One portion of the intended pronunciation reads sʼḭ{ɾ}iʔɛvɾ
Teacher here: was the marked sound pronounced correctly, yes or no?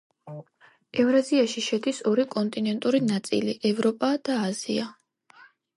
no